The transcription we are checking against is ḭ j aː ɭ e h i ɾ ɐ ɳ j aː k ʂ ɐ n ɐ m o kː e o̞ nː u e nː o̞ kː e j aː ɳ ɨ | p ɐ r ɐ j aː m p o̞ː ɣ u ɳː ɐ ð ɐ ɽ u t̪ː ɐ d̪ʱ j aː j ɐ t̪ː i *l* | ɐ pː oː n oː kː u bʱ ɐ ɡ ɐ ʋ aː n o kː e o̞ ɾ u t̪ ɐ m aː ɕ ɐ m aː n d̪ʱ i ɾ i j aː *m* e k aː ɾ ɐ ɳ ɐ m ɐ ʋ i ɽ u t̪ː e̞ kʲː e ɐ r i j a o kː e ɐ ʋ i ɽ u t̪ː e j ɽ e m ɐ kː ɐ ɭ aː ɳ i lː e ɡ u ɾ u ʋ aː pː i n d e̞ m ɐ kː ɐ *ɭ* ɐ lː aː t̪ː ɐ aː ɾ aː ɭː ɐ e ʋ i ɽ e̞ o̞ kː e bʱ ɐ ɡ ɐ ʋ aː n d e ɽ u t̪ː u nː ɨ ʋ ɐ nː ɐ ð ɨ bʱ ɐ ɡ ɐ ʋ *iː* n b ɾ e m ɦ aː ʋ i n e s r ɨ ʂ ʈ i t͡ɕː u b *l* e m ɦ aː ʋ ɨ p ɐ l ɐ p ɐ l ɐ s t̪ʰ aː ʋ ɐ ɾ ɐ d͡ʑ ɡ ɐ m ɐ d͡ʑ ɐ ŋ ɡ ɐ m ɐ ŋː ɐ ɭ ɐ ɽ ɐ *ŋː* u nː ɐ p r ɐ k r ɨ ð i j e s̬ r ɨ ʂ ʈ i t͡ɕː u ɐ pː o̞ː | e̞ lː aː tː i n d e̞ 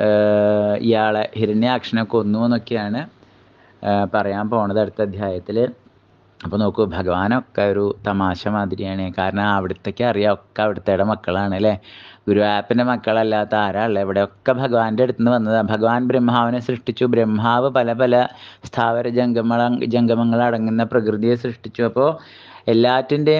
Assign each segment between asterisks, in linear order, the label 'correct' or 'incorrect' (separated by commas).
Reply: correct, incorrect, correct, incorrect, incorrect, correct